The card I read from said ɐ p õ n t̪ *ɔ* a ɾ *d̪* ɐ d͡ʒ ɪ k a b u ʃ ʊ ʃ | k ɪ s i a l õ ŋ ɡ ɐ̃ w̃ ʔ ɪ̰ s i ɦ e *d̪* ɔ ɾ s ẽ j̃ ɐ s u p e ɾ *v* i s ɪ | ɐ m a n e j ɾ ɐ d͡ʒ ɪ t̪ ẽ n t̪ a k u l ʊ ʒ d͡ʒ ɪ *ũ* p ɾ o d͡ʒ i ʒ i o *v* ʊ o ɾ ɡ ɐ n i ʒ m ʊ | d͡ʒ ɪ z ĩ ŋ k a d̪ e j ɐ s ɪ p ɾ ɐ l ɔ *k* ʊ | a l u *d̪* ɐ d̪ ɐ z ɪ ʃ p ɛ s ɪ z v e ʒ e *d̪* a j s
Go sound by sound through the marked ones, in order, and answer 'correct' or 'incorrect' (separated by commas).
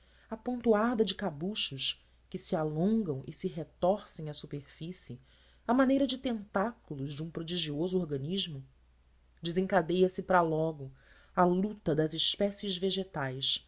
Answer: incorrect, correct, incorrect, incorrect, correct, incorrect, incorrect, incorrect, incorrect